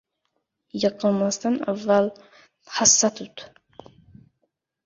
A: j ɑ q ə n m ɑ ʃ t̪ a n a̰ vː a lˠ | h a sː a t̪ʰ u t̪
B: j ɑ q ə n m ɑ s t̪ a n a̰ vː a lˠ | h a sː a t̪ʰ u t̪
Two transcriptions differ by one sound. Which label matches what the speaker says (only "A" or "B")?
B